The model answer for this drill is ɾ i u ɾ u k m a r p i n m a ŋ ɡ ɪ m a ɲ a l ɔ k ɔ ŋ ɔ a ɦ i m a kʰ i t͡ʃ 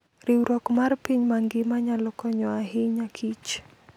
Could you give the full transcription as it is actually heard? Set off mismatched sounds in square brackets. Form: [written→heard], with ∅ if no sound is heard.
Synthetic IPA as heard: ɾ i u ɾ [u→ɔ] k m a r p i [n→ɲ] m a ŋ ɡ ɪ m a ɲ a l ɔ k ɔ [ŋ→ɲ] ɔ a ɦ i [m→ɲ] a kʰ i t͡ʃ